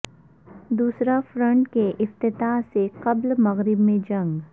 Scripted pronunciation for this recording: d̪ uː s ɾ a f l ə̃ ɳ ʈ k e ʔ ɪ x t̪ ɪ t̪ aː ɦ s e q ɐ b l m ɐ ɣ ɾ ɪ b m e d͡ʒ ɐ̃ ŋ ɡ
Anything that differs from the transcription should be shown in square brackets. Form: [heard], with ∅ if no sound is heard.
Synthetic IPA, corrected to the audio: d̪ uː s ɾ a f [ɾ] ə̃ ɳ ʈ k e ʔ ɪ [f] t̪ ɪ t̪ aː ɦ s e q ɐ b l m ɐ ɣ ɾ ɪ b m [ẽ] d͡ʒ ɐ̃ ŋ ɡ

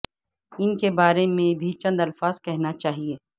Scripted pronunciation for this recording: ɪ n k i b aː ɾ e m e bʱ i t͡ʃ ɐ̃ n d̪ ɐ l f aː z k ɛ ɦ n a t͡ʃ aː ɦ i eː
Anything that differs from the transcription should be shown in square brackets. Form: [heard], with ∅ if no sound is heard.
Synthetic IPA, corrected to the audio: ɪ n k [e] b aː ɾ e m [ẽ] bʱ i t͡ʃ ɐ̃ n d̪ ɐ l f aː z k ɛ ɦ n a t͡ʃ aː ɦ i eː

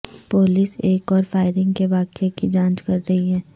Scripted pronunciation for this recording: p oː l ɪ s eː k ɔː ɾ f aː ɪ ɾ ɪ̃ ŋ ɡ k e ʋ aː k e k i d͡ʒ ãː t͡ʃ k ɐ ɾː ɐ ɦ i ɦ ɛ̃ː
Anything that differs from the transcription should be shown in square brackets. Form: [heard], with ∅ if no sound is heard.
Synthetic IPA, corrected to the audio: p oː l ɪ s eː k ɔː ɾ f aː ɪ ɾ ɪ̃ ŋ ɡ k e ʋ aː k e k i d͡ʒ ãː t͡ʃ k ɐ ɾː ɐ ɦ i ɦ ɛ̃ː

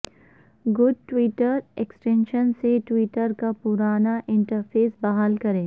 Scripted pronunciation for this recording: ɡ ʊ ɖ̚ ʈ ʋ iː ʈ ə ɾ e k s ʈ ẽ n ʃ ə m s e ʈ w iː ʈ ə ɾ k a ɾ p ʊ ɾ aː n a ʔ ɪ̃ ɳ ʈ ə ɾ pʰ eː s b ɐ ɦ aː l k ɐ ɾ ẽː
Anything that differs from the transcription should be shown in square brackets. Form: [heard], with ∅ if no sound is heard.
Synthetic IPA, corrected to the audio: ɡ ʊ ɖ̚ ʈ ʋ iː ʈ ə ɾ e k s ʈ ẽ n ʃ ə [n] s e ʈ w iː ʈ ə ɾ k a [∅] p ʊ ɾ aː n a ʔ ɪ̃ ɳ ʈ ə ɾ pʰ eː s b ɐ ɦ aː l k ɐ ɾ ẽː

